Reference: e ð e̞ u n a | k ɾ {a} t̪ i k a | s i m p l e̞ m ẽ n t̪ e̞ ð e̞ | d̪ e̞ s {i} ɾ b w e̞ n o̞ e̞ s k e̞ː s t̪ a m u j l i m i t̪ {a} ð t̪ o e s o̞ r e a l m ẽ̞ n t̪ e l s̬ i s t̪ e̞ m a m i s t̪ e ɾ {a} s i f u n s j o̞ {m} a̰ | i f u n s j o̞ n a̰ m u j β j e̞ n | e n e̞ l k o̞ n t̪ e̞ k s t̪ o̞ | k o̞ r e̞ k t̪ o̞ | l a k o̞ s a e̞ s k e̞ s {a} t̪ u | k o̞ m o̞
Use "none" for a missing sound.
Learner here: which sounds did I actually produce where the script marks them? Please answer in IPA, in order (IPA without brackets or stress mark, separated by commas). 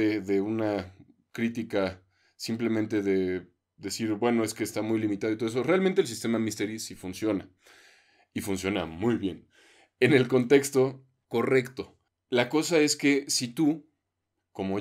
i, i, a, i, n, i